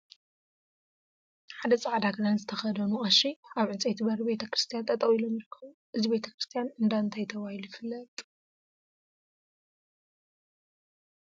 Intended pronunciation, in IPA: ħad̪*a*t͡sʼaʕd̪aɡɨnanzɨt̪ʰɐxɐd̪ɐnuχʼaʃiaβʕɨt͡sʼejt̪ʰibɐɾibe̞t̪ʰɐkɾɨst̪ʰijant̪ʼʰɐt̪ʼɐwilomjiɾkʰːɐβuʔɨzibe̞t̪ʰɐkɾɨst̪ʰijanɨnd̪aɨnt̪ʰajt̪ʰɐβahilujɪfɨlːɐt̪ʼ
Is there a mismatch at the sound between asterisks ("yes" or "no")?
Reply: yes